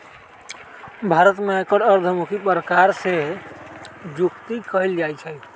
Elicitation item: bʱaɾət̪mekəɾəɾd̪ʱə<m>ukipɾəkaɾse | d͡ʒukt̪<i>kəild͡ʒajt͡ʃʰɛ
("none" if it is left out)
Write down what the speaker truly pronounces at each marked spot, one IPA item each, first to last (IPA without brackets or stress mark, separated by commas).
m, i